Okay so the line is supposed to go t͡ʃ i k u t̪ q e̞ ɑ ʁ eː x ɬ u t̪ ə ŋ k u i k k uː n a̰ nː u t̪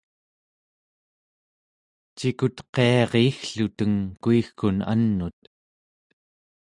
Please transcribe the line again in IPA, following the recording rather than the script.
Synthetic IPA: t͡ʃ i k u t̪ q e̞ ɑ ʁ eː x ɬ u t̪ ə ŋ k u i x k u n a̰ nː u t̪